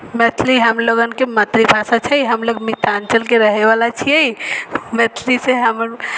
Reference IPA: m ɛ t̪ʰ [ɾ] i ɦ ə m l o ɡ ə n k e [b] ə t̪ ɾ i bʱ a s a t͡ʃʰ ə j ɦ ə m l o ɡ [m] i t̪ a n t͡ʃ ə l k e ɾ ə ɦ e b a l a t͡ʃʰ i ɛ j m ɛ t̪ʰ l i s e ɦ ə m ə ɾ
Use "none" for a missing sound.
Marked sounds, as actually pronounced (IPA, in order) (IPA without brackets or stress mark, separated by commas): l, m, m